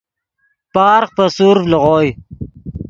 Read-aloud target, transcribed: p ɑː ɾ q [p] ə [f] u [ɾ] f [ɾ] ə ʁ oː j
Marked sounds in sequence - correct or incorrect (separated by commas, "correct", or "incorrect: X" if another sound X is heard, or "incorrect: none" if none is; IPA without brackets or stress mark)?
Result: correct, incorrect: s, correct, incorrect: l